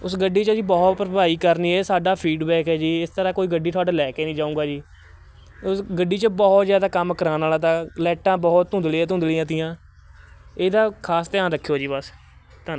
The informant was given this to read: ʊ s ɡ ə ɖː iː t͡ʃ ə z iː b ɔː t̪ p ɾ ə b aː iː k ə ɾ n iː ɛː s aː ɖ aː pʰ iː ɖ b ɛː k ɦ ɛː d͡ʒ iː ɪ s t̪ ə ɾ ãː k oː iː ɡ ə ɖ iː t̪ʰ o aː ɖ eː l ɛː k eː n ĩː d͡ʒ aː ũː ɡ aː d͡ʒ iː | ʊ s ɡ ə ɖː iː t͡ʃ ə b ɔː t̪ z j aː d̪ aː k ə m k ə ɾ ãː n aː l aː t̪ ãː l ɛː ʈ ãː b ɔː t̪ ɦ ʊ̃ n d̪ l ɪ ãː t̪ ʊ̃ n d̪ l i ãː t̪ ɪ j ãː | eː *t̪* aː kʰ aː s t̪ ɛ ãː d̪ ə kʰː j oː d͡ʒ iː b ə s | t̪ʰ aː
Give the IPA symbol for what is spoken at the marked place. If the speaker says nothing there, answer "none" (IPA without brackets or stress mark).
d̪